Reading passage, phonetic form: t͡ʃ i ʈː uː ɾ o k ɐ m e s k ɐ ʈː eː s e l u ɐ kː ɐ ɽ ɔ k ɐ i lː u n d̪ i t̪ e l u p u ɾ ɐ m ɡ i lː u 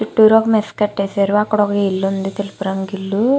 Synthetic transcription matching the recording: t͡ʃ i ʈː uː ɾ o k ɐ m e s k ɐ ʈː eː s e ɾ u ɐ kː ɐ ɽ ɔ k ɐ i lː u n d̪ i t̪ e l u p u ɾ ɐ ŋ ɡ i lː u